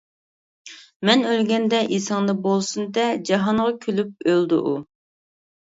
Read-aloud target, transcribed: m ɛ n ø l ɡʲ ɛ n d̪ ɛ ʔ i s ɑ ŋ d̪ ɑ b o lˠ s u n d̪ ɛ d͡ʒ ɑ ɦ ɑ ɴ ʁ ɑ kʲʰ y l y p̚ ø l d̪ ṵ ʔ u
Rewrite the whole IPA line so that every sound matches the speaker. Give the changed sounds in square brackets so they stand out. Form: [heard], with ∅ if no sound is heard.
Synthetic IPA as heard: m ɛ n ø l ɡʲ ɛ n d̪ ɛ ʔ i s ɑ ŋ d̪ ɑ b o lˠ s u n d̪ ɛ d͡ʒ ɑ ɦ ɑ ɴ ʁ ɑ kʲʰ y l y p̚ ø l d̪ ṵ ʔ u